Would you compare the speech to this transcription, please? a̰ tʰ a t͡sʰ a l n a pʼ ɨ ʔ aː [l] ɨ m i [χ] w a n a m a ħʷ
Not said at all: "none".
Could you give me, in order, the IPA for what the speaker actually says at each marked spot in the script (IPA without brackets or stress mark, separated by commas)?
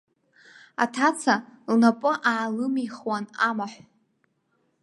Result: l, χ